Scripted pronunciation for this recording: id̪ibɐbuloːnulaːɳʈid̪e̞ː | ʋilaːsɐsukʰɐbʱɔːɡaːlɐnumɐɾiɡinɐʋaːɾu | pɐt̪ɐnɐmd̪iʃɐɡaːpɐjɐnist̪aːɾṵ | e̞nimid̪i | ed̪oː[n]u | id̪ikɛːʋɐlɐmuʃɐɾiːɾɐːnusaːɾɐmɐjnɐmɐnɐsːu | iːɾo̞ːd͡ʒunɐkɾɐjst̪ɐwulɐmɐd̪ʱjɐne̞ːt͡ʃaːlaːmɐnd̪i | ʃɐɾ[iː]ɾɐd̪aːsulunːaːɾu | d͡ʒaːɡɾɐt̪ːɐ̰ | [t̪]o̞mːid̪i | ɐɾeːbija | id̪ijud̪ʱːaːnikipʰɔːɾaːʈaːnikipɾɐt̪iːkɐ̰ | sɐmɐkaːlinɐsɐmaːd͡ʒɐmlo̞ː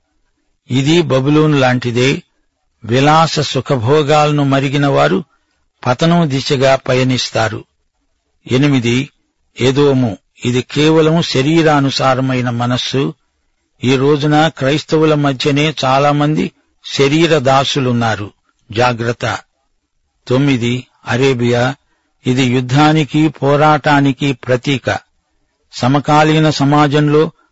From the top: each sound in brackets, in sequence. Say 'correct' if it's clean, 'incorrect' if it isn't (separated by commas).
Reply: incorrect, correct, correct